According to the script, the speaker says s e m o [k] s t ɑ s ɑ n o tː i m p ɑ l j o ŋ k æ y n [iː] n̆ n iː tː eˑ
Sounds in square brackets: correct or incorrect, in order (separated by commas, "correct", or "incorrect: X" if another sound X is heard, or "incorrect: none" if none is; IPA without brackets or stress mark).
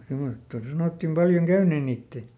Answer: incorrect: none, incorrect: eː